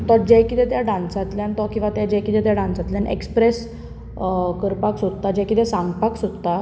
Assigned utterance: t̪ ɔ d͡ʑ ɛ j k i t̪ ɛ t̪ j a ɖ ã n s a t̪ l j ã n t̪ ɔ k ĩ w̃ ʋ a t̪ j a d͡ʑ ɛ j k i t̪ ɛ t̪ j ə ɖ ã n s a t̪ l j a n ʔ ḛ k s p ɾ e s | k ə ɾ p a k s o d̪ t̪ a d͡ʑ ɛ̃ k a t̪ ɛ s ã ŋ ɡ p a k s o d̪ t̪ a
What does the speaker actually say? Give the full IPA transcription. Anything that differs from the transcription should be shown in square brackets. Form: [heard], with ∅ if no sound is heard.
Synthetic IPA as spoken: t̪ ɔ d͡ʑ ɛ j k i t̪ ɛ t̪ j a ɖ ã n s a t̪ l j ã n t̪ ɔ k ĩ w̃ ʋ a t̪ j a d͡ʑ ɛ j k i t̪ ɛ t̪ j [a] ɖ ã n s a t̪ l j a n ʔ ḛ k s p ɾ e s | k ə ɾ p a k s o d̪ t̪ a d͡ʑ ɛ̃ k [i] t̪ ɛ s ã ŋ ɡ p a k s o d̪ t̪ a